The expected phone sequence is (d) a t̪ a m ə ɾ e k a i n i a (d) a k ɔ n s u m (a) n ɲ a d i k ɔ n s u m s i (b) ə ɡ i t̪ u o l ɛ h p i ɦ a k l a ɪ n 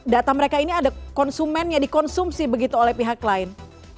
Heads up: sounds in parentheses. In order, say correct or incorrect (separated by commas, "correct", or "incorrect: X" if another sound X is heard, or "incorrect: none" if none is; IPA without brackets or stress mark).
correct, correct, incorrect: ɛ, correct